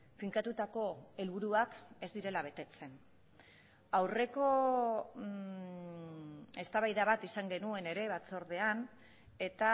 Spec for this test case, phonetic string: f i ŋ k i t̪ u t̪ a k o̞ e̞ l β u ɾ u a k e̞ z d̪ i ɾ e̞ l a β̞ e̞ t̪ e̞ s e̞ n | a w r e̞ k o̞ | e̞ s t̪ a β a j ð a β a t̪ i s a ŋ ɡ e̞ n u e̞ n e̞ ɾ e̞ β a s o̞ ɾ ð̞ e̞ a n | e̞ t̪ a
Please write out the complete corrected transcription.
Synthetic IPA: f i ŋ k a t̪ u t̪ a k o̞ e̞ l β u ɾ u a k e̞ z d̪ i ɾ e̞ l a β̞ e̞ t̪ e̞ t͡s e̞ n | a w r e̞ k o̞ | e̞ s t̪ a β a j ð a β a t̪ i s a ŋ ɡ e̞ n u e̞ n e̞ ɾ e̞ β a t͡s o̞ ɾ ð̞ e̞ a n | e̞ t̪ a